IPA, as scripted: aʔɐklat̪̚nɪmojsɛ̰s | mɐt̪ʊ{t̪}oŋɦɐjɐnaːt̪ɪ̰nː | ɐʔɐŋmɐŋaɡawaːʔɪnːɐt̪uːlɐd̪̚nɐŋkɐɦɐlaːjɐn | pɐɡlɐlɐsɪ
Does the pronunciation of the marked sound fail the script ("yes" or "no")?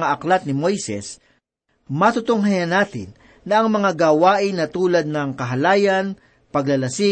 no